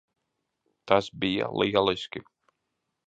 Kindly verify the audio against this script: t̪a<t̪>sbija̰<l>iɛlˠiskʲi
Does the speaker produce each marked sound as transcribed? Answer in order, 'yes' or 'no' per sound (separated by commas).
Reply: no, yes